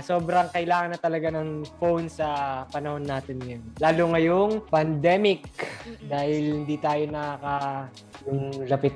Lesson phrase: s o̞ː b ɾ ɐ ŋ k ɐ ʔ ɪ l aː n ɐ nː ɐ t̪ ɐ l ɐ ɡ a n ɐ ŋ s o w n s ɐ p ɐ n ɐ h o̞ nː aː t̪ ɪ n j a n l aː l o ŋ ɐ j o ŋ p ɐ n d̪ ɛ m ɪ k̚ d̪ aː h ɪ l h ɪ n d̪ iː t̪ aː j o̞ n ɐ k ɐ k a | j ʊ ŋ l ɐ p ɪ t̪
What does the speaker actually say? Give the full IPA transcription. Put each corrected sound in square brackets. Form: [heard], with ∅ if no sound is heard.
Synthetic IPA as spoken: s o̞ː b ɾ ɐ ŋ k ɐ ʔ ɪ l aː [ŋ] ɐ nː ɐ t̪ ɐ l ɐ ɡ a n ɐ ŋ [f] o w n s ɐ p ɐ n ɐ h o̞ nː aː t̪ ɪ n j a n l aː l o ŋ ɐ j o ŋ p ɐ n d̪ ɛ m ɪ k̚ d̪ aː h ɪ l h ɪ n d̪ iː t̪ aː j o̞ n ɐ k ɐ k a | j ʊ ŋ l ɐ p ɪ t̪